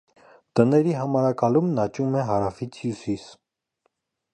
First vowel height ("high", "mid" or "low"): mid